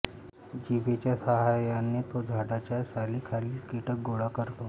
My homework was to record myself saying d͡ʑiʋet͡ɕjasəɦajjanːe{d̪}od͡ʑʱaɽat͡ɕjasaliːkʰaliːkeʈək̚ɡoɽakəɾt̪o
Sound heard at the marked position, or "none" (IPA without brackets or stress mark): t̪